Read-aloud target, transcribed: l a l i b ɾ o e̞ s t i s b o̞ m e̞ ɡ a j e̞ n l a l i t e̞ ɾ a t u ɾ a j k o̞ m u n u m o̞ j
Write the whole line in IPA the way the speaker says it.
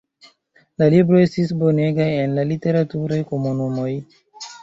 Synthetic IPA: l a l i b ɾ o e̞ s t i s b o̞ n e̞ ɡ a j e̞ n l a l i t e̞ ɾ a t u ɾ a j k o̞ m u n u m o̞ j